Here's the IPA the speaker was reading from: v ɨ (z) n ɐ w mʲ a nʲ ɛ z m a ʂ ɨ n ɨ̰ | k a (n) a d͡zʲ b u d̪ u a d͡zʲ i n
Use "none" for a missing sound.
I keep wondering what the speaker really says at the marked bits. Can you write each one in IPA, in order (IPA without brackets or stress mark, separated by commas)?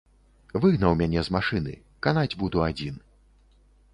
ɣ, n